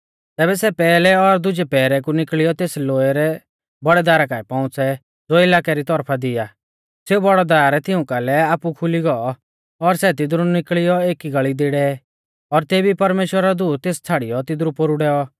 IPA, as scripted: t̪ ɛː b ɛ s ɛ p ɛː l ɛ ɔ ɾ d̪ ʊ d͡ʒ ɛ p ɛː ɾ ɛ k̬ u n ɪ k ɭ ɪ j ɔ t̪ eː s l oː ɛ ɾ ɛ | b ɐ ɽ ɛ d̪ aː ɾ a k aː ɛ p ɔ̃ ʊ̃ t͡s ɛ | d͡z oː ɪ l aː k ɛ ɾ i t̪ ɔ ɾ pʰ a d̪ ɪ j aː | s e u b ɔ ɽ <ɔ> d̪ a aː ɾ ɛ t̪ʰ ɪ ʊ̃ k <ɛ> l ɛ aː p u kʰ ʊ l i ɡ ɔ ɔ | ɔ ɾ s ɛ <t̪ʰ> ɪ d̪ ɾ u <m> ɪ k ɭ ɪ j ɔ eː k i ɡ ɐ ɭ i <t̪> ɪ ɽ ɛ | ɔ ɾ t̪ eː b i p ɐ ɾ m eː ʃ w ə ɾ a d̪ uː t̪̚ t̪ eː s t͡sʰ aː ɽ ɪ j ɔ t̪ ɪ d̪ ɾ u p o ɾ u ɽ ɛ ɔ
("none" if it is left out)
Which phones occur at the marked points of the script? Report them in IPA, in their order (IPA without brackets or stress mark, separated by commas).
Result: ɔ, a, t̪, n, d̪